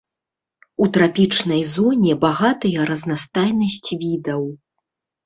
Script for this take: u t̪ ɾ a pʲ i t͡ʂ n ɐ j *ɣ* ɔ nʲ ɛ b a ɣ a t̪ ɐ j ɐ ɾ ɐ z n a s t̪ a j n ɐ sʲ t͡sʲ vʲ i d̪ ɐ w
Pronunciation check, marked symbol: incorrect: z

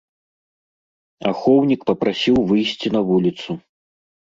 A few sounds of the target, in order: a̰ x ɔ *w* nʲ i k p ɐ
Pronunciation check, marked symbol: correct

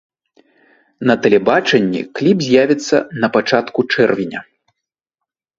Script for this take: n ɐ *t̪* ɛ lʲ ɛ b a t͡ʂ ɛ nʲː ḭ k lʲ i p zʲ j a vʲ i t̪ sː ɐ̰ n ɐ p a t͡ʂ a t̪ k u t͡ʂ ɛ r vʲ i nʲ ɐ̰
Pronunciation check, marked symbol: correct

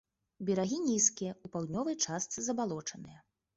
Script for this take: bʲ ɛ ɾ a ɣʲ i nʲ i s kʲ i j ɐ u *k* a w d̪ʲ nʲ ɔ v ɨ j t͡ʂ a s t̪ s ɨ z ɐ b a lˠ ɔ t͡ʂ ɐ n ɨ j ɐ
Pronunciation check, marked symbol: incorrect: p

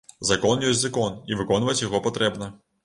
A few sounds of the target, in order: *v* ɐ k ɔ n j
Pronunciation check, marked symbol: incorrect: z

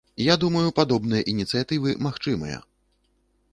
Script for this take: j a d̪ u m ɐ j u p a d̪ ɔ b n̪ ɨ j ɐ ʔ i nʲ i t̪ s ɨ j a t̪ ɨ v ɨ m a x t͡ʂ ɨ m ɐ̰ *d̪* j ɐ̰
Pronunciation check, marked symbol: incorrect: none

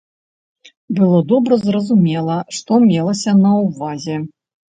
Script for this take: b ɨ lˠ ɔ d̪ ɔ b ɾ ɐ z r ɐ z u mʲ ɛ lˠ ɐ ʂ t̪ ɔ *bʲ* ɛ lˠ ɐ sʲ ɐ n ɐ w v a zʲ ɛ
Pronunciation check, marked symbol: incorrect: mʲ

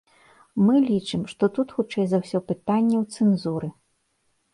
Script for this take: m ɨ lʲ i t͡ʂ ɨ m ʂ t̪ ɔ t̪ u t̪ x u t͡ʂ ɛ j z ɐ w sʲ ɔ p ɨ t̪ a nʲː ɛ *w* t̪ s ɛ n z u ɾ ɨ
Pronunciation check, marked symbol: correct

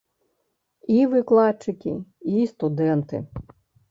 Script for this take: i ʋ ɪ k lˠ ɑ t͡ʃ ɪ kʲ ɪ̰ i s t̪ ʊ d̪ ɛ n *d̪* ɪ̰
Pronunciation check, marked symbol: incorrect: t̪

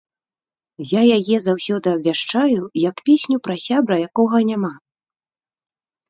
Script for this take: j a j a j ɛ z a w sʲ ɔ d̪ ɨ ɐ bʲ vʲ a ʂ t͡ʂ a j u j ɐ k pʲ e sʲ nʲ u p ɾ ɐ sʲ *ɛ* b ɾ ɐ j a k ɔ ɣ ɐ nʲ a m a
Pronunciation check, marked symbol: incorrect: a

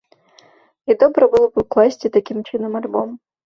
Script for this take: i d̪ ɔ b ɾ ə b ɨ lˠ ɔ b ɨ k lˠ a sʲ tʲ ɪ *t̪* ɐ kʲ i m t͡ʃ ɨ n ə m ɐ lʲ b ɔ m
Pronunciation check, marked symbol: correct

